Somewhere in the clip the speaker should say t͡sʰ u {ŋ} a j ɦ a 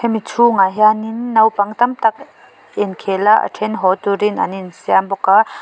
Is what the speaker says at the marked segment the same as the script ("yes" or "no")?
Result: yes